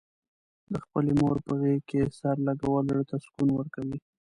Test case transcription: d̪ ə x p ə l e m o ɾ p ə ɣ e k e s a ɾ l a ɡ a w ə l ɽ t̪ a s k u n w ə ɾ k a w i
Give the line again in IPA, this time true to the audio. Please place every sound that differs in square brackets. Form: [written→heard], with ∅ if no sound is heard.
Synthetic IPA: d̪ ə x p ə l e m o ɾ p ə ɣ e k e s a ɾ l a ɡ a w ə l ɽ t̪ a s k u n w ə ɾ k a w i